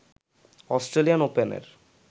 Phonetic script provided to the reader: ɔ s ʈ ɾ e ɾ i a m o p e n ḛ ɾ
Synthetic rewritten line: ɔ s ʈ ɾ e l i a n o p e n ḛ ɾ